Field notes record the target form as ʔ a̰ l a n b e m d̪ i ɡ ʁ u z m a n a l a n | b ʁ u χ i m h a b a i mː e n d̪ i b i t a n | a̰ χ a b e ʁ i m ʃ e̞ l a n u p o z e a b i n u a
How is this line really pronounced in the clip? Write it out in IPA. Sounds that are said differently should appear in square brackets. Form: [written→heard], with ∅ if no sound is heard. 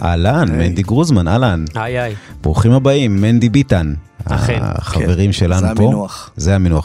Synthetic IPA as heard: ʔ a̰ l a n [b→m] e [m→n] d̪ i ɡ ʁ u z m a n a l a n | b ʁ u χ i m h a b a i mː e n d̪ i b i t a n | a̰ χ a [b→v] e ʁ i m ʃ e̞ l a n u p o z e a [b→m] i n u a